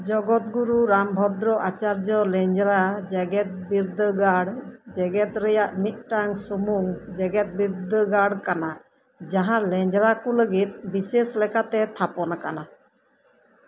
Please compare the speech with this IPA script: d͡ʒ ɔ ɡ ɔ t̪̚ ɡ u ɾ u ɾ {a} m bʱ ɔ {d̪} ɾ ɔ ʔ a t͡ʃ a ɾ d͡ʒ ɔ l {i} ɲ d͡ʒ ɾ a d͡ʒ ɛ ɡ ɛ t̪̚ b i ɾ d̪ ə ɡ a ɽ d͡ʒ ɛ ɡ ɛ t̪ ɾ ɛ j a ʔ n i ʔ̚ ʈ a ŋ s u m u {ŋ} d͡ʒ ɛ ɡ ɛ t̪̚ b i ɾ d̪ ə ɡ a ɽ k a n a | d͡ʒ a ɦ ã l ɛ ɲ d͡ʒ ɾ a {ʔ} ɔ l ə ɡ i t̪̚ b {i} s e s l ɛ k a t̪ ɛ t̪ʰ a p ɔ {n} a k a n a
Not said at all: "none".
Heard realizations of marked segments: a, d̪, ɛ, ŋ, k, i, n

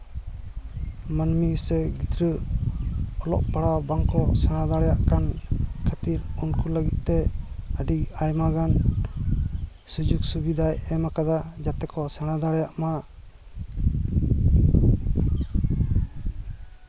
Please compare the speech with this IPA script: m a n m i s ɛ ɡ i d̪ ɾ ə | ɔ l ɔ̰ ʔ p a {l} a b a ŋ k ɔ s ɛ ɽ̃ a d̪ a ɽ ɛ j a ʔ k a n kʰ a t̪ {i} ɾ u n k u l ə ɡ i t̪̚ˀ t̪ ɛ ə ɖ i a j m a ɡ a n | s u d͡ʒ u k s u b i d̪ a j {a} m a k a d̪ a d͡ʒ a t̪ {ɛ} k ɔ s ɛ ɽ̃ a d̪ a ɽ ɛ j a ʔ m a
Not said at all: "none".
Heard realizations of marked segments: ɽ, i, ɛ, ɛ

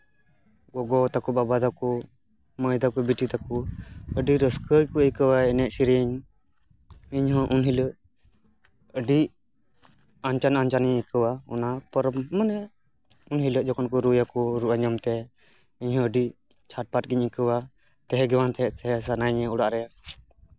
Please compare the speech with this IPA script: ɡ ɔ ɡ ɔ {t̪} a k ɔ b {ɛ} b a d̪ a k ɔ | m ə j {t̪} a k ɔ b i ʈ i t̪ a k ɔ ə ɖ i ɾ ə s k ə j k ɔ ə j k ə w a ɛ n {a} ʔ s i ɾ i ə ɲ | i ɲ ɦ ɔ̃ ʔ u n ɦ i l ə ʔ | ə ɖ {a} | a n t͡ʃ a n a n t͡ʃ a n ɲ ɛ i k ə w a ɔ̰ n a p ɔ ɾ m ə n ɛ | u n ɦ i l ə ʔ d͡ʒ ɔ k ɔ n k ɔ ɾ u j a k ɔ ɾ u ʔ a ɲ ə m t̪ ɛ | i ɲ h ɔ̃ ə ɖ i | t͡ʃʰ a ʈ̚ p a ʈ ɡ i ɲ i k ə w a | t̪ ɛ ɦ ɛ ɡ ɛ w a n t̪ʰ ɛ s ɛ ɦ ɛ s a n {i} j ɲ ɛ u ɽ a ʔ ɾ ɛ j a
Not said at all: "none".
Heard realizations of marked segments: t̪, a, d̪, ɛ, i, a

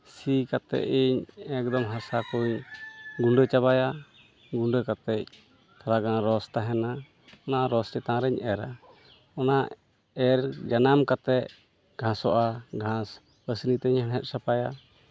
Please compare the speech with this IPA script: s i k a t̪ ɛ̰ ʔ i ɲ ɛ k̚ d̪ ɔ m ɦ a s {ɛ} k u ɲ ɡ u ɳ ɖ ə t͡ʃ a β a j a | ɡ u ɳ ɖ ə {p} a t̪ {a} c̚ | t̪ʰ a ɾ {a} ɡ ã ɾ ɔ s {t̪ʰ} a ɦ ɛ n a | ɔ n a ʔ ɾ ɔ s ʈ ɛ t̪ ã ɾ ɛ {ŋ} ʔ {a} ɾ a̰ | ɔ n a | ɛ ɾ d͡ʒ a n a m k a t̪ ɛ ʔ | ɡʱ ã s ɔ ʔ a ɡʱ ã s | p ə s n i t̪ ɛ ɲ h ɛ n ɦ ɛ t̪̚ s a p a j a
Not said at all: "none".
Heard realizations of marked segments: a, k, ɛ, a, t̪, ɲ, ɛ

